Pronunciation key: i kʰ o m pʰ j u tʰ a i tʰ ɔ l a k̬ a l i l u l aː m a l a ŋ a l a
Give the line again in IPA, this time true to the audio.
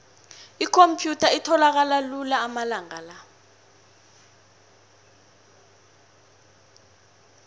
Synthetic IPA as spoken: i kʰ o m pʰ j u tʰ a i tʰ ɔ l a k̬ a l a l u l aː m a l a ŋ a l a